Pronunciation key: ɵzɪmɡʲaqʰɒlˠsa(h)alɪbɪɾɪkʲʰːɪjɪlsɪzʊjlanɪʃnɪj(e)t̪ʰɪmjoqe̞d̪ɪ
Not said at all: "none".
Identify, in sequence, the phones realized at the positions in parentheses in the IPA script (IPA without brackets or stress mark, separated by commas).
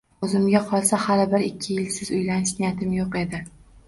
h, a